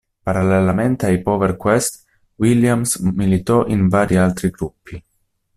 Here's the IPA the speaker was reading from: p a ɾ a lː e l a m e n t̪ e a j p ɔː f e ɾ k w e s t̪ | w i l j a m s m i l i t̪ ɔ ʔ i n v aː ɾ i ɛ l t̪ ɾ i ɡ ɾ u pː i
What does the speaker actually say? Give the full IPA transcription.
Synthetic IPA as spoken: p a ɾ a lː e l a m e n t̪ e a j p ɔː v e ɾ k w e s t̪ | w i l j a m s m i l i t̪ ɔ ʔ i n v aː ɾ i a l t̪ ɾ i ɡ ɾ u pː i